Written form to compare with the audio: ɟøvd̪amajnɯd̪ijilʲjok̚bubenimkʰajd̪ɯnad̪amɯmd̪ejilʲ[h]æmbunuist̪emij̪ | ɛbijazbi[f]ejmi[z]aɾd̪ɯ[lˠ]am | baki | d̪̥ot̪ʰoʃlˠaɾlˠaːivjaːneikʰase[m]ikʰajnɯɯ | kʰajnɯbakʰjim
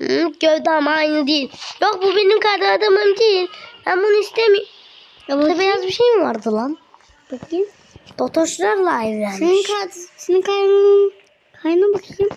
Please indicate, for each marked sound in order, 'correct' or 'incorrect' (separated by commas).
correct, incorrect, incorrect, correct, incorrect